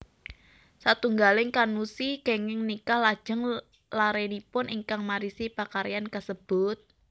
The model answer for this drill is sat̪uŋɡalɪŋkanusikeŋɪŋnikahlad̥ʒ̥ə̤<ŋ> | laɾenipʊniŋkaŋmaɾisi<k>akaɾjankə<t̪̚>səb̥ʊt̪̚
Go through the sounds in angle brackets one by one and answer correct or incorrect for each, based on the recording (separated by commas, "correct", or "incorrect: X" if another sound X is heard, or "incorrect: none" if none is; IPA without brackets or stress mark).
correct, incorrect: p, incorrect: none